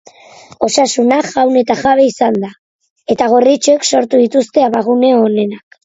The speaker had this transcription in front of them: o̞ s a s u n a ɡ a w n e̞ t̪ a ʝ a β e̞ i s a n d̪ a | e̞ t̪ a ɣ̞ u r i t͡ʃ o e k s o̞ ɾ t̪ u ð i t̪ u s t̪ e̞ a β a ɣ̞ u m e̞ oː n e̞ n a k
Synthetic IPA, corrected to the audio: o̞ s a s u n a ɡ a w n e̞ t̪ a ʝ a β e̞ i s a n d̪ a | e̞ t̪ a ɣ̞ o r i t͡ʃ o e k s o̞ ɾ t̪ u ð i t̪ u s t̪ e̞ a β a ɣ̞ u n e̞ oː n e̞ n a k